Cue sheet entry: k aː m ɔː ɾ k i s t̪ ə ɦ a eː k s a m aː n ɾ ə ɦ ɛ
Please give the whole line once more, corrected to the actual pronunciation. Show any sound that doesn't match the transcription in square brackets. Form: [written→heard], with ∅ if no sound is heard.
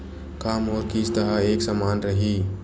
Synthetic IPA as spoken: k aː m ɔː ɾ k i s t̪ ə ɦ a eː k s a m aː n ɾ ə ɦ [ɛ→i]